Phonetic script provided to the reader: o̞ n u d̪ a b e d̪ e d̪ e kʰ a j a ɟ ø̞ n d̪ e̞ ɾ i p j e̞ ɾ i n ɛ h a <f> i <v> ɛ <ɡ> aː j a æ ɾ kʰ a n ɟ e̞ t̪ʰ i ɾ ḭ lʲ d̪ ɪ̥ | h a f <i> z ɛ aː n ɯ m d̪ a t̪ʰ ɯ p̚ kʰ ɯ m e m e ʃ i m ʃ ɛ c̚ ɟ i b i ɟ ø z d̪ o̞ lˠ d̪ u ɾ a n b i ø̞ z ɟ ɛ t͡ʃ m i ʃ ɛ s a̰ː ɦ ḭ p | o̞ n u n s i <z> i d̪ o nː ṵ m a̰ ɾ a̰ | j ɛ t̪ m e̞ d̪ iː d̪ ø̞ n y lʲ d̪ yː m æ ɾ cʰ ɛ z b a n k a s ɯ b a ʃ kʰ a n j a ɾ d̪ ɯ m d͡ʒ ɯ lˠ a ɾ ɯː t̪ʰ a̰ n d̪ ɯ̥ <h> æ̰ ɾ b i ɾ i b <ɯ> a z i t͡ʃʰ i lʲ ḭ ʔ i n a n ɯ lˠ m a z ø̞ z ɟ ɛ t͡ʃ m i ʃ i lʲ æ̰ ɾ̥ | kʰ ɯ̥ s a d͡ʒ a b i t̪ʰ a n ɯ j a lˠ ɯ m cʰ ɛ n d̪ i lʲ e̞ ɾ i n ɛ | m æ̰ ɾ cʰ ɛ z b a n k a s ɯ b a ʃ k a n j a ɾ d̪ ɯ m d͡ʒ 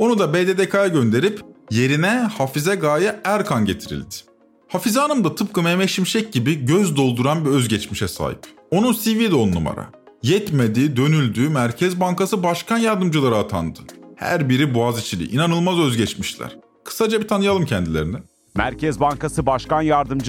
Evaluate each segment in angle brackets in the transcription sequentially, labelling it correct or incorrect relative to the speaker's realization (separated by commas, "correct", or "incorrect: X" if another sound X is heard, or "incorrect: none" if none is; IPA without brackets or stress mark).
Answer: correct, incorrect: z, correct, correct, incorrect: v, correct, incorrect: u